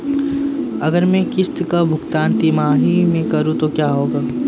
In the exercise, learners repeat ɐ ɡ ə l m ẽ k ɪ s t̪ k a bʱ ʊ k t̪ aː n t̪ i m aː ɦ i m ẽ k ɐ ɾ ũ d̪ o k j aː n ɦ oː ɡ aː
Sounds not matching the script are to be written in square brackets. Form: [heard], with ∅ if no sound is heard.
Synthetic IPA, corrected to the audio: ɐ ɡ ə [ɾ] m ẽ k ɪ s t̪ k a bʱ ʊ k t̪ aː n t̪ i m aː ɦ i m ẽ k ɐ ɾ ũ [t̪] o k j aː [∅] ɦ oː ɡ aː